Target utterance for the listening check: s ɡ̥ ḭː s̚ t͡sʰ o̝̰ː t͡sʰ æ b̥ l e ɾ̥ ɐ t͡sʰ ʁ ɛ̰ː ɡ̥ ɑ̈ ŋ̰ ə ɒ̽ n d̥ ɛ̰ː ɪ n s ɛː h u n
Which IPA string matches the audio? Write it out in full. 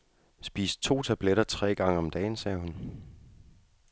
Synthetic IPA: s b̥ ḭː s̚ t͡sʰ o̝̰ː t͡sʰ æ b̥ l e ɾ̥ ɐ t͡sʰ ʁ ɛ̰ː ɡ̥ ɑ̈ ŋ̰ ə ɒ̽ m d̥ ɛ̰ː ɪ n s ɛː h u n